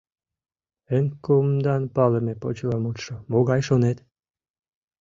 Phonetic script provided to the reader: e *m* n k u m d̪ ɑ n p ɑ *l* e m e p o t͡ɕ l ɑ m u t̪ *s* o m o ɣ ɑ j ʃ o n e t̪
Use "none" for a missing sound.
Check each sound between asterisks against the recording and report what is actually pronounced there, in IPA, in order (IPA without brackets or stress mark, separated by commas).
none, l, ʃ